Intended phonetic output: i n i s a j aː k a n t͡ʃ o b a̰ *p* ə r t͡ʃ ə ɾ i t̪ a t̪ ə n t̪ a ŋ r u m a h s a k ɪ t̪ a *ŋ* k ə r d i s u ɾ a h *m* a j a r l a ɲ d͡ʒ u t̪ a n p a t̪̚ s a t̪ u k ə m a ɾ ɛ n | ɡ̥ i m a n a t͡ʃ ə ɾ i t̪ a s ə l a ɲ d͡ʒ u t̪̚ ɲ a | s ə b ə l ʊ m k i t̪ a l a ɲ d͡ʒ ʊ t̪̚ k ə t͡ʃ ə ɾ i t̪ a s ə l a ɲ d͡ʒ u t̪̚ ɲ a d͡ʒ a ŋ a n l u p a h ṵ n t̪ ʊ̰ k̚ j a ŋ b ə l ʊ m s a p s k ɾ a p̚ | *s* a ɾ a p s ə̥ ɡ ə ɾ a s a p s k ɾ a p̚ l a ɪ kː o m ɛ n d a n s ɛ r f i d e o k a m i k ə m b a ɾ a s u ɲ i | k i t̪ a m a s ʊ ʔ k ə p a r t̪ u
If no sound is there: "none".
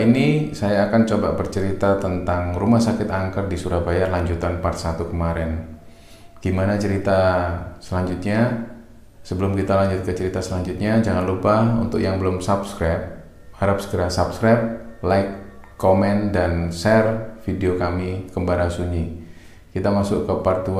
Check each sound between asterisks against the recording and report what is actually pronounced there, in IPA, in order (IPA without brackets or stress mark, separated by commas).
b, ŋ, b, h